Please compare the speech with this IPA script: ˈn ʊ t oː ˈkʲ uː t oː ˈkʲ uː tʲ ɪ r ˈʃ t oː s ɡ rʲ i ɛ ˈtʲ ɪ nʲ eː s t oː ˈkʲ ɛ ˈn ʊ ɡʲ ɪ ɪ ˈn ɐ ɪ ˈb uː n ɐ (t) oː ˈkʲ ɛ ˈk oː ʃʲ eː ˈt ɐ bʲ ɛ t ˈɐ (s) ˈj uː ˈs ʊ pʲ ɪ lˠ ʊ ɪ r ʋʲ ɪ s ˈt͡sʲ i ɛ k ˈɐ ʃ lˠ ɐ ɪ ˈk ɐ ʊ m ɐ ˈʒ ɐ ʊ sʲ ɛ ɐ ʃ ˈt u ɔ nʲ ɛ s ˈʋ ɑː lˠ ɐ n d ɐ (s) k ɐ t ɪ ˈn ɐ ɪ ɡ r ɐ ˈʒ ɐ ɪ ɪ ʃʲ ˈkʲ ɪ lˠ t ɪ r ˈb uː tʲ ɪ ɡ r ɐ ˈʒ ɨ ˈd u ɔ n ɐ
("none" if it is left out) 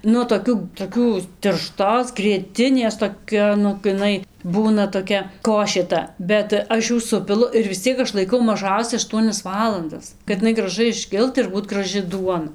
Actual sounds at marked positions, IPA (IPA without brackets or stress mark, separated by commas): t, ʃ, s